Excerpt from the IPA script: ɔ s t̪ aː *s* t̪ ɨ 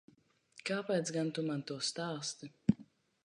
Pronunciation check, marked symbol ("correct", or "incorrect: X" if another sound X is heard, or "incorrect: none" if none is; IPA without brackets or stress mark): correct